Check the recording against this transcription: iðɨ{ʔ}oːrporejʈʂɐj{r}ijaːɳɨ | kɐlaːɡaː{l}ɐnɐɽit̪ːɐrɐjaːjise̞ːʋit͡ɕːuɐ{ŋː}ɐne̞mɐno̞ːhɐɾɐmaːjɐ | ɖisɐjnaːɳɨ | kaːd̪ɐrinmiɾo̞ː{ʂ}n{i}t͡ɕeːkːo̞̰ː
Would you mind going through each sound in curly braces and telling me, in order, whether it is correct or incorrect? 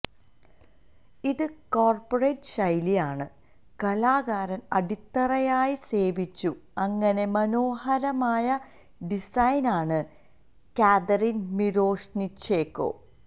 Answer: incorrect, incorrect, incorrect, correct, correct, correct

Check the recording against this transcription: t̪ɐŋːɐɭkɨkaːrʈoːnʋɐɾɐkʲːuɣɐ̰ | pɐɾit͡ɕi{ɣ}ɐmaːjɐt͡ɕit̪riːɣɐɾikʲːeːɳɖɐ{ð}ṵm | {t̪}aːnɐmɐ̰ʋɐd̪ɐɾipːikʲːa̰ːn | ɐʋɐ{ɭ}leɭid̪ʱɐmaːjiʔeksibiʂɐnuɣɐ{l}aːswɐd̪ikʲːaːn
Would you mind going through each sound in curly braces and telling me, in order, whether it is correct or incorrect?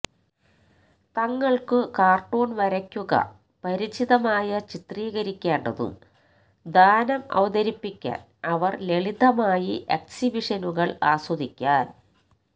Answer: incorrect, correct, incorrect, incorrect, incorrect

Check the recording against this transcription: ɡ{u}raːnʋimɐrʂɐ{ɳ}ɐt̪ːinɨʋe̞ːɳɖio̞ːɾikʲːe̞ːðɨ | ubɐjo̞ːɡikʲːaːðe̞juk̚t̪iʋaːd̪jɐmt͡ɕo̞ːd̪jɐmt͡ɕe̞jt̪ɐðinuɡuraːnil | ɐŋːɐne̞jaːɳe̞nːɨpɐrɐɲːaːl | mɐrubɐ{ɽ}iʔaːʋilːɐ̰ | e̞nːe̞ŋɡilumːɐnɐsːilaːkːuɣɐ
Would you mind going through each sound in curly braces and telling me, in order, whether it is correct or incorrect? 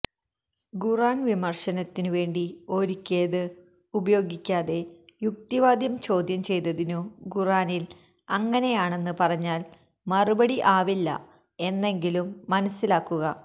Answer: correct, incorrect, correct

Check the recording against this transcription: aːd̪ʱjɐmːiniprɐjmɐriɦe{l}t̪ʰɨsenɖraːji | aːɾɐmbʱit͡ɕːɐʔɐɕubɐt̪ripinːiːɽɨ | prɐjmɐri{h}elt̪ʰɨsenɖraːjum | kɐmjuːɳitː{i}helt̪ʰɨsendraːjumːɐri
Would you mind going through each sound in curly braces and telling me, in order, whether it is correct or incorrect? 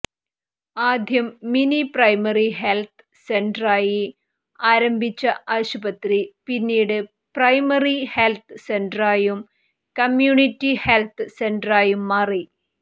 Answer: correct, correct, correct

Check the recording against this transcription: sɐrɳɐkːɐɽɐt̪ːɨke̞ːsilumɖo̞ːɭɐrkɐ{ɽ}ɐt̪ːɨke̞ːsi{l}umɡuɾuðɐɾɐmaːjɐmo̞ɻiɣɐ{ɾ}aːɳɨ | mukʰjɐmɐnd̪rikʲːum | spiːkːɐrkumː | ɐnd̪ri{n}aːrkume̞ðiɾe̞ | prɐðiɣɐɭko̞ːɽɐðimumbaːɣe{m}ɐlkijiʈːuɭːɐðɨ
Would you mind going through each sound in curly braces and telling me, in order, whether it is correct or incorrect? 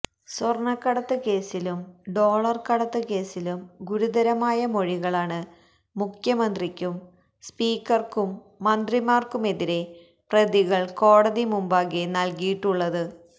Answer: correct, correct, incorrect, incorrect, incorrect

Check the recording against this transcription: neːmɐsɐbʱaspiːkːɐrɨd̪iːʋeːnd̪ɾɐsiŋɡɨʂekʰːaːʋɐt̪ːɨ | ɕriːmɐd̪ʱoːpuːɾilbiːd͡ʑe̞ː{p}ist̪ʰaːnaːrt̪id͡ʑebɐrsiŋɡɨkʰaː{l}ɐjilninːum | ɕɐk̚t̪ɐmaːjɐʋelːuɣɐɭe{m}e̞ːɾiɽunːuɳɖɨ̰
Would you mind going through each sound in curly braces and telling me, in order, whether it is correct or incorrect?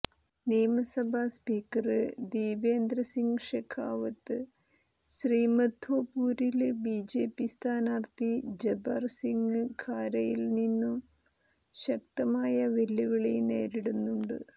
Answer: correct, incorrect, incorrect

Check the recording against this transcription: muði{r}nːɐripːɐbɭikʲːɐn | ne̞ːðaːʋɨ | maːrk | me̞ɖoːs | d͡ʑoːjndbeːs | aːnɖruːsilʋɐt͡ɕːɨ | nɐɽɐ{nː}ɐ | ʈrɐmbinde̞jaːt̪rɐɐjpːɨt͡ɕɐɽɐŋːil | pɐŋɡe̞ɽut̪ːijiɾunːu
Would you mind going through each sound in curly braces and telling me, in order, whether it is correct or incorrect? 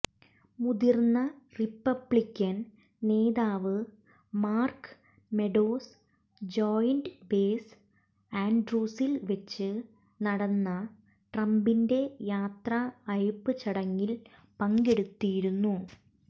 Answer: correct, correct

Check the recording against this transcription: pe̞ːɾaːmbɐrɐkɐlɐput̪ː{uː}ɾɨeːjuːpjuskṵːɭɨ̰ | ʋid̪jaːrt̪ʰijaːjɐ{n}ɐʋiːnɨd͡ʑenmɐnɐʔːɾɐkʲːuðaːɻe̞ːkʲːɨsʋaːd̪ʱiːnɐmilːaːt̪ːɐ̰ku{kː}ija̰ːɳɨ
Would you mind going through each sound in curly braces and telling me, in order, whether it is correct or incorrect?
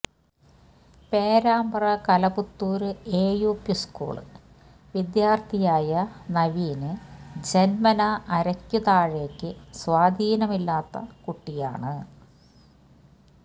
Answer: correct, correct, incorrect

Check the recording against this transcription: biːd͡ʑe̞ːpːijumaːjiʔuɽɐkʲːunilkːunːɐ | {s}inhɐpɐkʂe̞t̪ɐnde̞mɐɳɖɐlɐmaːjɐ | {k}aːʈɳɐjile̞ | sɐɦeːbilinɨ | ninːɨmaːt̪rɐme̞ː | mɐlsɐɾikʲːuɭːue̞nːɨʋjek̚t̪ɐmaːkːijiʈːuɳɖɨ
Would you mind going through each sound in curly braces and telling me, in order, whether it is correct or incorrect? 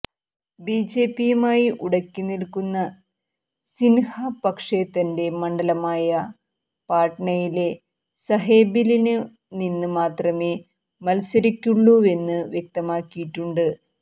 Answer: correct, incorrect

